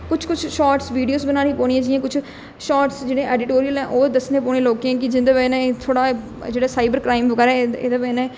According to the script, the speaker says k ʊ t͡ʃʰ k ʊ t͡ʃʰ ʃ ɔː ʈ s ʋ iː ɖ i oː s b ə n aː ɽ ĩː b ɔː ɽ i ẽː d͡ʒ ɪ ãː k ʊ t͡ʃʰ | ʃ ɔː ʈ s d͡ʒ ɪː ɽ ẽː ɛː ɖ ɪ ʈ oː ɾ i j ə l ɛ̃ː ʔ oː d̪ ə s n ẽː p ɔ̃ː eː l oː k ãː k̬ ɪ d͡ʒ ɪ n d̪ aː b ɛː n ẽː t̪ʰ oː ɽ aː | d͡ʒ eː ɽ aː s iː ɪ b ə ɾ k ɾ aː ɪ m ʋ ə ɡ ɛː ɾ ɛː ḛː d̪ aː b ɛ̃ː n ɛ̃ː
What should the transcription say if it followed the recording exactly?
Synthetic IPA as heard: k ʊ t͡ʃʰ k ʊ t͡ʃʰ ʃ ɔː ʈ s ʋ iː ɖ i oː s b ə n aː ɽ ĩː p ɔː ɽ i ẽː d͡ʒ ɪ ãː k ʊ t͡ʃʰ | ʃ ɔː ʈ s d͡ʒ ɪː ɽ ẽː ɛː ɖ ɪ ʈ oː ɾ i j ə l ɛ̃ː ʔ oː d̪ ə s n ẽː p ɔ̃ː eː l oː k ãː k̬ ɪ d͡ʒ ɪ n d̪ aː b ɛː n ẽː t̪ʰ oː ɽ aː | d͡ʒ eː ɽ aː s aː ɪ b ə ɾ k ɾ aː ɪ m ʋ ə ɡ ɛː ɾ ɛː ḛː d̪ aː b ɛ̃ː n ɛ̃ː